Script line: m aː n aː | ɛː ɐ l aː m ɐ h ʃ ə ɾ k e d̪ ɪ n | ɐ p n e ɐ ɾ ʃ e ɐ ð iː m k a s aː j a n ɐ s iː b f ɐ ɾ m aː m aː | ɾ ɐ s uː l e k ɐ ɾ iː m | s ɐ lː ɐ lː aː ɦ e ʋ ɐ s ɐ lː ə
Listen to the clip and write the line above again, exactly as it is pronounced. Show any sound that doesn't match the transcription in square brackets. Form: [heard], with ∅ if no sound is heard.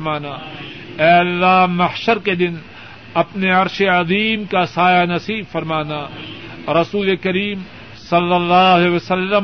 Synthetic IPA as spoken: m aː n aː | ɛː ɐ [lː] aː m ɐ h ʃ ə ɾ k e d̪ ɪ n | ɐ p n e ɐ ɾ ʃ e ɐ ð iː m k a s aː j a n ɐ s iː b f ɐ ɾ m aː [n] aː | ɾ ɐ s uː l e k ɐ ɾ iː m | s ɐ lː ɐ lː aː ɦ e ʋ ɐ s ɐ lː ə